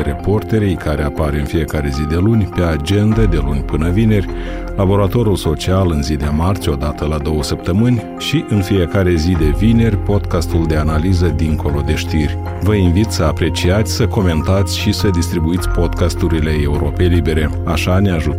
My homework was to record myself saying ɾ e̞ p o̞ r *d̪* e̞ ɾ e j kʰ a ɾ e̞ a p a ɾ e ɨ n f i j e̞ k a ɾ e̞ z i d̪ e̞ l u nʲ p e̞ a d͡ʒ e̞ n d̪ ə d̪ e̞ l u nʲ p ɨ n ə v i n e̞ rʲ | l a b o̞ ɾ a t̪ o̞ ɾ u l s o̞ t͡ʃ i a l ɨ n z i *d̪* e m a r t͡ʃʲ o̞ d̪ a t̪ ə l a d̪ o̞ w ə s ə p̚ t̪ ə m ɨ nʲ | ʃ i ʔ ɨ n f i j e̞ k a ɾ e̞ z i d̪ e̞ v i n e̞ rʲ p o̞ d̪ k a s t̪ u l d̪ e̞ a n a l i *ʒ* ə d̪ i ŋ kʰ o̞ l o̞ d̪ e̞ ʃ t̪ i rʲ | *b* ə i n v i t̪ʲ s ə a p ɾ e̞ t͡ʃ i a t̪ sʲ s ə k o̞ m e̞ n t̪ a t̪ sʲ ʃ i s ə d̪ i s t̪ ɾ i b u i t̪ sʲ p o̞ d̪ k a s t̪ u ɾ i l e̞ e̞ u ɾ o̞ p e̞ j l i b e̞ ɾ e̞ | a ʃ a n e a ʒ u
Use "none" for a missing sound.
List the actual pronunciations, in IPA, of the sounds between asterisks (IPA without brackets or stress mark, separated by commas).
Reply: t̪, d̪, z, v